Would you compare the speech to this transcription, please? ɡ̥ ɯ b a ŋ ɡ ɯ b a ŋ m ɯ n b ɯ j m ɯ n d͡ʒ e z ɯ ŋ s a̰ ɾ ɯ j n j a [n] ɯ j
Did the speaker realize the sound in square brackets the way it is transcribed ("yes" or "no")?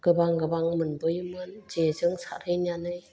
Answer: yes